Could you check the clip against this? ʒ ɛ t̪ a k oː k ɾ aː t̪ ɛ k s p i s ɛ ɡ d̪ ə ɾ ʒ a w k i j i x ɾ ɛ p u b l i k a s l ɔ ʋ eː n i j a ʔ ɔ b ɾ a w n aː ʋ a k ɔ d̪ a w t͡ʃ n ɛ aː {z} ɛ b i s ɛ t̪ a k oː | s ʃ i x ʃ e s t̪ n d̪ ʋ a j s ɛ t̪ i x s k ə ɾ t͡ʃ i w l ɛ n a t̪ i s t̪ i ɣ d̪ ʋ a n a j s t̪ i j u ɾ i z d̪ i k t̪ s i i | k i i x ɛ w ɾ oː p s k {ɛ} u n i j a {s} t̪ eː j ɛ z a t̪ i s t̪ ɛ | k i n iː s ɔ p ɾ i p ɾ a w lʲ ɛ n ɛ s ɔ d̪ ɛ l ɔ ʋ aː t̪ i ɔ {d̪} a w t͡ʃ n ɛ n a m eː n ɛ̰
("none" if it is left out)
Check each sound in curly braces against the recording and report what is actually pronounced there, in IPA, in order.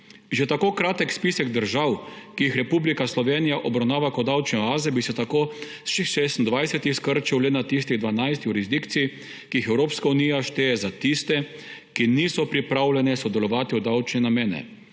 z, a, ʃ, d̪

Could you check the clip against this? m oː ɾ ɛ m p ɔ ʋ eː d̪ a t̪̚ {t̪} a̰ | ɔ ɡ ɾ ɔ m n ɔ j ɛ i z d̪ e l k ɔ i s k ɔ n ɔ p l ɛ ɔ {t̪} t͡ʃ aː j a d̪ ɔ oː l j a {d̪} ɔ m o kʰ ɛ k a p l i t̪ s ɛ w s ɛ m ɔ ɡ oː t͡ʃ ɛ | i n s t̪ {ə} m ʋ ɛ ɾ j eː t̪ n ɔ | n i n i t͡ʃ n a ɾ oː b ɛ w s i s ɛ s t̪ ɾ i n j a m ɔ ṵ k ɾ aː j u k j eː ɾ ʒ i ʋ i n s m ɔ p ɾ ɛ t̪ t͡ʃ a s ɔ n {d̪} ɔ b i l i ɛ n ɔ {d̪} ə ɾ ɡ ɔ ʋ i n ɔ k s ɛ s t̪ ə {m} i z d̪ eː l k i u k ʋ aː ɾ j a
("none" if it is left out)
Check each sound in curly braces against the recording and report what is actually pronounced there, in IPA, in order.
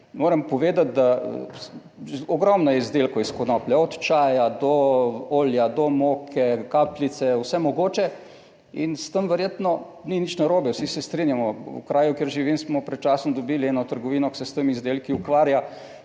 d̪, t̪, d̪, ə, d̪, t̪, m

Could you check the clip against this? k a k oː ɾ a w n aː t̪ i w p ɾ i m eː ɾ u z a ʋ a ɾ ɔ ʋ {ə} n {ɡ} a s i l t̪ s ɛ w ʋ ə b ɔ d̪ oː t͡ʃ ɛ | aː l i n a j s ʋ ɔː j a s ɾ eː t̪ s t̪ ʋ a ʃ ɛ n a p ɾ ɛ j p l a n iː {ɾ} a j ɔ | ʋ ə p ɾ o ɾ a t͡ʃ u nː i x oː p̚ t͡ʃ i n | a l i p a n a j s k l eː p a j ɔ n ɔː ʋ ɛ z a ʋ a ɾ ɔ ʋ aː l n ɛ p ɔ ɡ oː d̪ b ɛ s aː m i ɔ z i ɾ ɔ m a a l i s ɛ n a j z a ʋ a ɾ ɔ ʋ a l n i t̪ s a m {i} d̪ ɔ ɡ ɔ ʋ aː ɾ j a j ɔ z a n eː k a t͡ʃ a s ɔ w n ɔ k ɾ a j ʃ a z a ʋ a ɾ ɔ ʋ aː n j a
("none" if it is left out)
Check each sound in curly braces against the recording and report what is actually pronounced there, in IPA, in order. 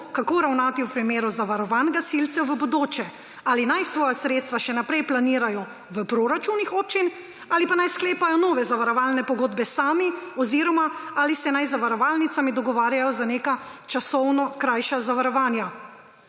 a, ɡ, ɾ, i

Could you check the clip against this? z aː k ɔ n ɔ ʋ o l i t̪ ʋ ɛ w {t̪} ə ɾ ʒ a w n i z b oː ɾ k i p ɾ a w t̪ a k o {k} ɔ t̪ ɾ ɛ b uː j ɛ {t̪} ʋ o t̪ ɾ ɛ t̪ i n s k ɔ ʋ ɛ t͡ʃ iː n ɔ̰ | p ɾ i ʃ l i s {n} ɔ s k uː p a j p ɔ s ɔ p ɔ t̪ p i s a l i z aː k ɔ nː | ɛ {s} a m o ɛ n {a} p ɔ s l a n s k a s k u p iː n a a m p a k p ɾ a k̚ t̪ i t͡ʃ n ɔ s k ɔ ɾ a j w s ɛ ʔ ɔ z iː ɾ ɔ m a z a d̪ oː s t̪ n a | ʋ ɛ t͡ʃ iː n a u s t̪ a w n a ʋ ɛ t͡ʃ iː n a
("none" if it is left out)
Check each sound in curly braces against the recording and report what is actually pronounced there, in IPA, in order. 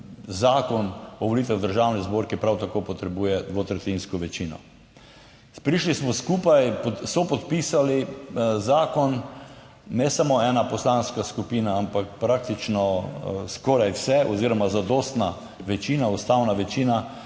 d̪, p, d̪, m, s, a

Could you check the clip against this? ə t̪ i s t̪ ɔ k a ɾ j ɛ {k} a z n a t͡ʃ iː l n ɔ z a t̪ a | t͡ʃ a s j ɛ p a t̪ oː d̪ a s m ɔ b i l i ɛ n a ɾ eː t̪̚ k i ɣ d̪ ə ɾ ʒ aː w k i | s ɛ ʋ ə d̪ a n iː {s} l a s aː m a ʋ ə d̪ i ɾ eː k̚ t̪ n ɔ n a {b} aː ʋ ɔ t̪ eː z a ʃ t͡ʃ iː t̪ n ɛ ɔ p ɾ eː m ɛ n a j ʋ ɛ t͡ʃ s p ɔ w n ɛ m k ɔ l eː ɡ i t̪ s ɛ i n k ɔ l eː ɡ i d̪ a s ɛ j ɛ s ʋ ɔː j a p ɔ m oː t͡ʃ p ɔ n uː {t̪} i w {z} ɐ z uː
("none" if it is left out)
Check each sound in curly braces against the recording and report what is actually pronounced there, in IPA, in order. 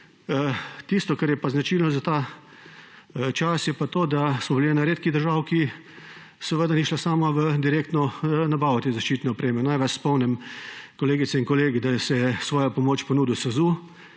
p, ʃ, b, d̪, s

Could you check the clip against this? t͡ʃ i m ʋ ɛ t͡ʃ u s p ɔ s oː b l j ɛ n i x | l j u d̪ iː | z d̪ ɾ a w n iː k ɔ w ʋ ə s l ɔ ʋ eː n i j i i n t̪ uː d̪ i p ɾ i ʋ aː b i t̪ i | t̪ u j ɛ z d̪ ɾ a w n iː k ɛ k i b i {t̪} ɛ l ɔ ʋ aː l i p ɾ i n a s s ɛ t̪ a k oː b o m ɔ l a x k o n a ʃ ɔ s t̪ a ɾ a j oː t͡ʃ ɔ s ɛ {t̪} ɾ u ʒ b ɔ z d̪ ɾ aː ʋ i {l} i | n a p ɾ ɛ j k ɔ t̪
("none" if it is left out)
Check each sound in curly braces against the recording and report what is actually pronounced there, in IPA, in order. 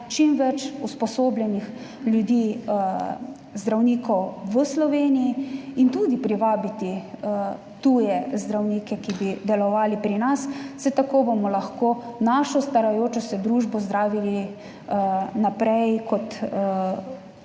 d̪, d̪, l

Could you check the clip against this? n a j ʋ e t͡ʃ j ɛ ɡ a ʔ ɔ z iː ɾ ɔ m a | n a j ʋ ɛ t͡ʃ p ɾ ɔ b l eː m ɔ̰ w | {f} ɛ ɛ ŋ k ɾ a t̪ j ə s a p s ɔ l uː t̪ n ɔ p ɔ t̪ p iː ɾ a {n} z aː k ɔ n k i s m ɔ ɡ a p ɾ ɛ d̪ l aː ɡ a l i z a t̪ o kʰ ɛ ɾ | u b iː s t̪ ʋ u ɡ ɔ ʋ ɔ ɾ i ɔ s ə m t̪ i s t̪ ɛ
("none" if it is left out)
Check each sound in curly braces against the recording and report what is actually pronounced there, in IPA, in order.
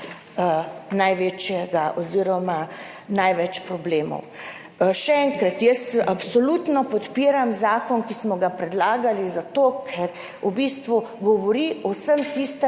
ʃ, m

